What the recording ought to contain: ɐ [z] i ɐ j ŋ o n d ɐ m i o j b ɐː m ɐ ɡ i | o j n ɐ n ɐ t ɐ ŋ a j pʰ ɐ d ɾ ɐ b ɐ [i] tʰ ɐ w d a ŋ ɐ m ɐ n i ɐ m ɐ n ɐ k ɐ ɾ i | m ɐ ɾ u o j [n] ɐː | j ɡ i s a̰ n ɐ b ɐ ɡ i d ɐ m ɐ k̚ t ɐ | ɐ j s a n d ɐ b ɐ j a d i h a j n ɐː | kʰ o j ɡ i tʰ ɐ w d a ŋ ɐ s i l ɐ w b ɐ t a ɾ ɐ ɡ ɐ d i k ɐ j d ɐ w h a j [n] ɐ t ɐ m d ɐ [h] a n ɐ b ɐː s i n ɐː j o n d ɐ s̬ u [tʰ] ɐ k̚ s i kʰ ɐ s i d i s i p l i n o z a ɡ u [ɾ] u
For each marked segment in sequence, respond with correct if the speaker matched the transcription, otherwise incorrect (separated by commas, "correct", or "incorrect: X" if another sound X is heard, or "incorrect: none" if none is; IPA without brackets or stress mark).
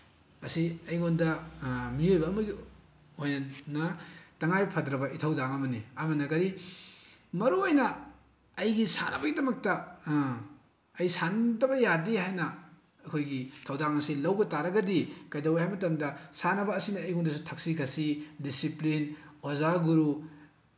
incorrect: s, correct, correct, incorrect: m, incorrect: s, correct, correct